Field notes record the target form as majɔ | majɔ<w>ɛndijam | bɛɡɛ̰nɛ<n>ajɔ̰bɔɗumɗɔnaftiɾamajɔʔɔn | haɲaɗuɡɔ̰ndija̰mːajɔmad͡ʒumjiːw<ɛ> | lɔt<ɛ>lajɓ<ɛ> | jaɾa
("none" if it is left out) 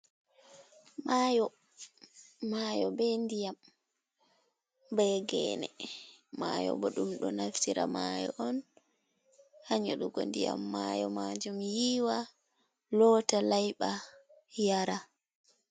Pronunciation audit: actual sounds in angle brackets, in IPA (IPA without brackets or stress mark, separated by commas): b, m, a, a, a